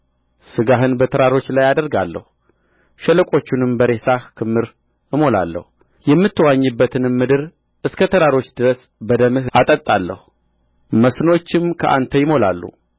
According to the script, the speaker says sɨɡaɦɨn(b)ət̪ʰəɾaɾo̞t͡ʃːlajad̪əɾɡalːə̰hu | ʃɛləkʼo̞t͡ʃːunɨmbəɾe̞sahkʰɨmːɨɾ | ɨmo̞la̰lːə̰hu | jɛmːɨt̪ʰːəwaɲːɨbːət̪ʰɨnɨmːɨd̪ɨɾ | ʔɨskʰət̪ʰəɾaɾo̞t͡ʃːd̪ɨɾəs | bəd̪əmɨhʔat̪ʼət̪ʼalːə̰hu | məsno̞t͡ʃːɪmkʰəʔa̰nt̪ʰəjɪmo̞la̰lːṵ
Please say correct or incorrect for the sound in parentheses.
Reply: correct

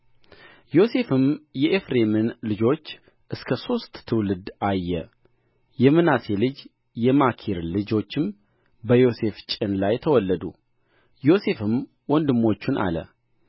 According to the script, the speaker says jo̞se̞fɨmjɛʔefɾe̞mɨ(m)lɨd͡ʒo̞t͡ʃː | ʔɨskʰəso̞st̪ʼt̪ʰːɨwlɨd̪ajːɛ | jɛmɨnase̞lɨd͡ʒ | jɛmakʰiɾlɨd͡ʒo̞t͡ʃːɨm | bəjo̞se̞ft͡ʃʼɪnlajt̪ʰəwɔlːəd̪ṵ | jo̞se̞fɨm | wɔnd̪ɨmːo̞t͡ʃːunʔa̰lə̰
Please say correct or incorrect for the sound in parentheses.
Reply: incorrect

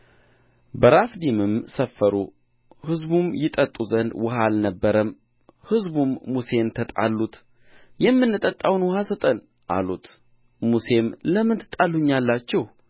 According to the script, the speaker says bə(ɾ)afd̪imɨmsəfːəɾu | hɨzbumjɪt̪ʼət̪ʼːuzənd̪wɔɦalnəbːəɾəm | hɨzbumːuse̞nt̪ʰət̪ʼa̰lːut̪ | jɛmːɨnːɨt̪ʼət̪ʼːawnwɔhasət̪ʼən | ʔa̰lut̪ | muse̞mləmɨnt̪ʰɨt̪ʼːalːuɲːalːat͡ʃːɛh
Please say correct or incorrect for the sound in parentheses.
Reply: correct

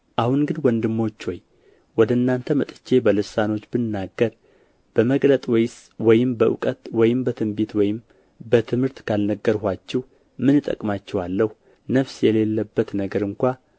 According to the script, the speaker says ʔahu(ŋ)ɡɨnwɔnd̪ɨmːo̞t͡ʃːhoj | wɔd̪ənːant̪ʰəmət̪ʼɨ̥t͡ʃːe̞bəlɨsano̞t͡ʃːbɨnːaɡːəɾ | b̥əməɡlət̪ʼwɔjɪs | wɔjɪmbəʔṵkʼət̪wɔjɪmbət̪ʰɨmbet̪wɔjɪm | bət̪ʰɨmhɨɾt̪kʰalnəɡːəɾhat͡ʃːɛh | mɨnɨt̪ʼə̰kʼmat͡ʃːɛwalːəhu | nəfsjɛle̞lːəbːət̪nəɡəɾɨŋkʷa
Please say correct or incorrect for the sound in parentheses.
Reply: incorrect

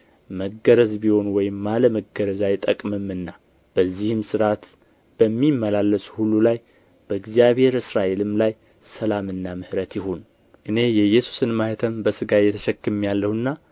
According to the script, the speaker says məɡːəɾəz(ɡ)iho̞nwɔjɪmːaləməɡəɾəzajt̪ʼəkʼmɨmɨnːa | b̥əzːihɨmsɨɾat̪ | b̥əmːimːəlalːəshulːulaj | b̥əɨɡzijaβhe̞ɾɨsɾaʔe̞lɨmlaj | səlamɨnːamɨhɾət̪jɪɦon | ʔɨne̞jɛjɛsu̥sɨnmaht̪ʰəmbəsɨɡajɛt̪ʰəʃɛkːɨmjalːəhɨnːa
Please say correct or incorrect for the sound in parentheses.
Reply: incorrect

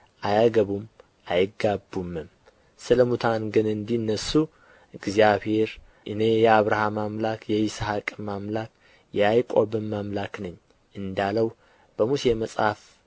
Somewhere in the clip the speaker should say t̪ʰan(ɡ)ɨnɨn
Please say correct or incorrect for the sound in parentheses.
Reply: correct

